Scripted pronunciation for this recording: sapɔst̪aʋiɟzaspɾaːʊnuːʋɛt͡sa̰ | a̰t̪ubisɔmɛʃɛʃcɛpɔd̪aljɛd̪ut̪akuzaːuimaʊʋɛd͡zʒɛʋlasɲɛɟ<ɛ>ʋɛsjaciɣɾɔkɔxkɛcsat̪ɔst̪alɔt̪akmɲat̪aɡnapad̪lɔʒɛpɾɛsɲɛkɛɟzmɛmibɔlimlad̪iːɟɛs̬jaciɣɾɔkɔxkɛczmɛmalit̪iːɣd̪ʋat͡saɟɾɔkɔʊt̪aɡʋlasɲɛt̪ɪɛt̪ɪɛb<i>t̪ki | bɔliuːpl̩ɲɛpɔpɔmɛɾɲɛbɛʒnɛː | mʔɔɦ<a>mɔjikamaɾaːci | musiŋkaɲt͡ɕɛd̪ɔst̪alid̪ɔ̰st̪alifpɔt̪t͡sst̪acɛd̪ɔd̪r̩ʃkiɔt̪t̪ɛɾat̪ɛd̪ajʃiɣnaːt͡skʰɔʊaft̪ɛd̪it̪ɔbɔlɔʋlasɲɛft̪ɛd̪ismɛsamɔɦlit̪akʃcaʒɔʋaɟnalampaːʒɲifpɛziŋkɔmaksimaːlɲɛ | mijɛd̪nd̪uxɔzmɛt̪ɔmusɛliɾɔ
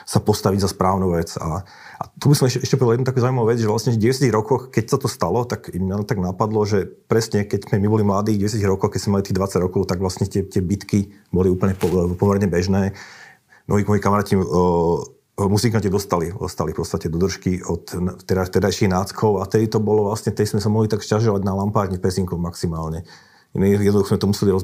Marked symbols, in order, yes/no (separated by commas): yes, yes, no